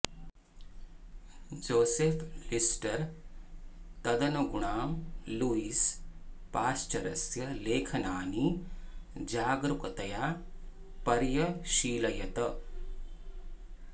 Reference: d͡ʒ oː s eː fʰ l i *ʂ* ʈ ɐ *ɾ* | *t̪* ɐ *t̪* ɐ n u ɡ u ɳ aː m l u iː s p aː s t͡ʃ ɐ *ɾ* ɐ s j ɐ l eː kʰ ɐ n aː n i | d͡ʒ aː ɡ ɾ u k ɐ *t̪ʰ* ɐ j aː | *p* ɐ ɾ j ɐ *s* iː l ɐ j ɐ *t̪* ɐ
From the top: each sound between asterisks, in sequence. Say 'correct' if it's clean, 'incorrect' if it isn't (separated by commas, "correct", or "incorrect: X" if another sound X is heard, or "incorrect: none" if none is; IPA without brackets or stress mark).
incorrect: s, correct, correct, incorrect: d̪, correct, incorrect: t̪, correct, incorrect: ʃ, correct